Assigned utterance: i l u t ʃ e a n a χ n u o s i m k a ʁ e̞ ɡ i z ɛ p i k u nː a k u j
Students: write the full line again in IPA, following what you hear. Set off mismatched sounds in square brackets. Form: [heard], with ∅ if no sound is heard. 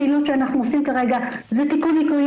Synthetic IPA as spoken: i l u t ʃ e a n a χ n u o s i m k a ʁ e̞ ɡ [a] z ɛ [t] i k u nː [i] k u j